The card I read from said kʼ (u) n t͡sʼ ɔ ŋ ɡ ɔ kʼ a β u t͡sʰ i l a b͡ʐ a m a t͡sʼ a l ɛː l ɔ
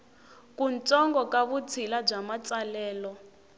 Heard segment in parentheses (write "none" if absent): u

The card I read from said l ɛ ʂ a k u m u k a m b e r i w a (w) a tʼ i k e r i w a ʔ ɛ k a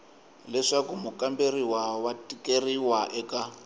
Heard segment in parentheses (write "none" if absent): w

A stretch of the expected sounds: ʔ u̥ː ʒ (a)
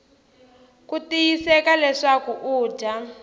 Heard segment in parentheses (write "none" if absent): a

